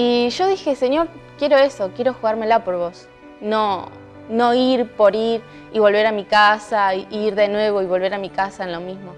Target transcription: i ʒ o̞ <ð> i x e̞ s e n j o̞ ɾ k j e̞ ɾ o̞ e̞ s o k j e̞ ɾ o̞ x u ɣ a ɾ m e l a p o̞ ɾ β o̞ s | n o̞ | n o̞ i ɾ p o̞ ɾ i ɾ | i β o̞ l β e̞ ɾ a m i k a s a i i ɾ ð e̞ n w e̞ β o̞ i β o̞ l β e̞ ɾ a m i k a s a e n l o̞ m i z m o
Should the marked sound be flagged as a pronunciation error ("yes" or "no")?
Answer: no